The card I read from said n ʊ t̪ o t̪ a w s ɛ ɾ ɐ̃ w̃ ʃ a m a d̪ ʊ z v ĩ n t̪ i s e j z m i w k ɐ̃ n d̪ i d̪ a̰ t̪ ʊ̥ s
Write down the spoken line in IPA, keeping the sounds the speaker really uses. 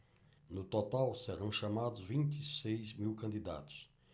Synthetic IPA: n ʊ t̪ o t̪ a w s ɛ ɾ ɐ̃ w̃ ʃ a m a d̪ ʊ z v ĩ n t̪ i s e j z m i w k ɐ̃ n d̪ i d̪ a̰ t̪ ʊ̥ s